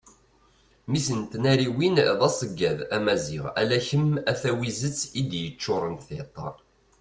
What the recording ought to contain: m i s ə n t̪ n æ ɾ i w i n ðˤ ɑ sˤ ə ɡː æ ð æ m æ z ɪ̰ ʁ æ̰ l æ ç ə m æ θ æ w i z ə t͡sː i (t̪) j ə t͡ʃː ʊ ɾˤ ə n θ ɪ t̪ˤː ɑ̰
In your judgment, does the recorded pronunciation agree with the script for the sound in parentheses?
no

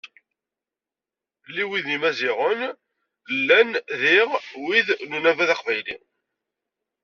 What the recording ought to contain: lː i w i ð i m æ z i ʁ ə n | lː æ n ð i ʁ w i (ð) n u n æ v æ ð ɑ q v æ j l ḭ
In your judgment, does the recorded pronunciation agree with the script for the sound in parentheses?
yes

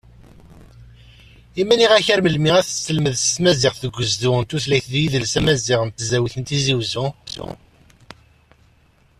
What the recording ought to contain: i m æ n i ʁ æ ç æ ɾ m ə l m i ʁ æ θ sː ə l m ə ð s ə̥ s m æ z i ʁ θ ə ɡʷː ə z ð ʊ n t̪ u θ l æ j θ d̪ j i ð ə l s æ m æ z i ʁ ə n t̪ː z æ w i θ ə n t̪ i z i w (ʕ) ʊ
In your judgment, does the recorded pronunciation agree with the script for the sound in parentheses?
no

